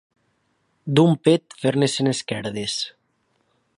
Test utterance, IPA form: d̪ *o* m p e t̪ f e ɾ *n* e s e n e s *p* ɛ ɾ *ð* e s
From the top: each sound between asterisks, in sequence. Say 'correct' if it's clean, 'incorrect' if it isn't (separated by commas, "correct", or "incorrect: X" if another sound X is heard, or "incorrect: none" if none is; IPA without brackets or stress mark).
incorrect: u, correct, incorrect: k, correct